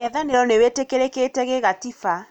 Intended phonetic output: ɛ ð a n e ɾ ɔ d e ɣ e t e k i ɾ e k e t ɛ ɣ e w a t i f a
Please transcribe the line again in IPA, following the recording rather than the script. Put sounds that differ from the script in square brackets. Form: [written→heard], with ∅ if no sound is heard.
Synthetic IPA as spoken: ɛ ð a n e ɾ ɔ [d→n] e [ɣ→w] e t e k [i→e] ɾ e k e t ɛ ɣ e [w→ɣ] a t i f a